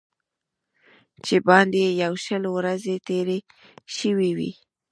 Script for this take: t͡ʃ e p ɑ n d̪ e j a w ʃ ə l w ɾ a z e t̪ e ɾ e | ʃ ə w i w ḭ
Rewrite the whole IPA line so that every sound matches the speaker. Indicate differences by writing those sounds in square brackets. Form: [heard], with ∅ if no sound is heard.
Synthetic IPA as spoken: t͡ʃ e [b] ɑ n d̪ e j a w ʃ ə l w ɾ a z e t̪ e ɾ e | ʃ ə w i w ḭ